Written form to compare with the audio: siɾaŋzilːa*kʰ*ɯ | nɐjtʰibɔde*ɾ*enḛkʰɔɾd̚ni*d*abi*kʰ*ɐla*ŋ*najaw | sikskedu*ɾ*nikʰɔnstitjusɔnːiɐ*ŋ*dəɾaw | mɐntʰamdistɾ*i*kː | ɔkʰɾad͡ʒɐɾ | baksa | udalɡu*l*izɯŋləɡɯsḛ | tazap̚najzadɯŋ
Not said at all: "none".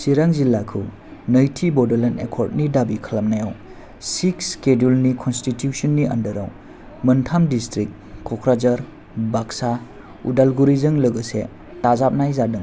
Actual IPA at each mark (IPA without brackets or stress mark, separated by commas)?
kʰ, l, d, kʰ, m, l, n, i, ɾ